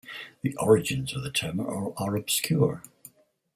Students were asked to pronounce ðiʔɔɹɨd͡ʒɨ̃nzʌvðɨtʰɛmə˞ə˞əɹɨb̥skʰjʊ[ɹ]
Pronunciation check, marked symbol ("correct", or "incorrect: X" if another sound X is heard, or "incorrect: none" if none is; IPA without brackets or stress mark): correct